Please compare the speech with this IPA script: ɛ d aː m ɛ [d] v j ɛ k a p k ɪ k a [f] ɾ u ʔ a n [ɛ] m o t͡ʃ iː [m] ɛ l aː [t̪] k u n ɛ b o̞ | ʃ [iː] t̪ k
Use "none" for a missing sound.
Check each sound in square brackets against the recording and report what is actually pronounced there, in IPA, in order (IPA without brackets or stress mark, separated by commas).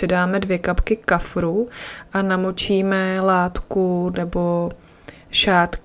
d, f, a, m, t̪, aː